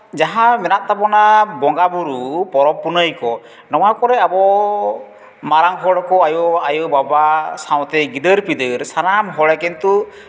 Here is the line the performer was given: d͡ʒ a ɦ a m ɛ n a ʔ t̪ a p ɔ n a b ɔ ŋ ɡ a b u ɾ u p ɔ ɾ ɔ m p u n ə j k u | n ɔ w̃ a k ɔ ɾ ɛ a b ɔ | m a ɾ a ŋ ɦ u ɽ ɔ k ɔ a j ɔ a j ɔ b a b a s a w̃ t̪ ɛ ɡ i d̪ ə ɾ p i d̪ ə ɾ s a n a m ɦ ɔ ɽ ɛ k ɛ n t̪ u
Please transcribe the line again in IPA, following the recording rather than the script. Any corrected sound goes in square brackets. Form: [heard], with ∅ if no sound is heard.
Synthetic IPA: d͡ʒ a ɦ a m ɛ n a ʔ t̪ a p ɔ n a b ɔ ŋ ɡ a b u ɾ u p ɔ ɾ ɔ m p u n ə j k [ɔ] | n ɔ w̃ a k ɔ ɾ ɛ a b ɔ | m a ɾ a ŋ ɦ [ɔ] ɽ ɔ k ɔ a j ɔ a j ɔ b a b a s a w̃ t̪ ɛ ɡ i d̪ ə ɾ p i d̪ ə ɾ s a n a m ɦ ɔ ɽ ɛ k ɛ n t̪ u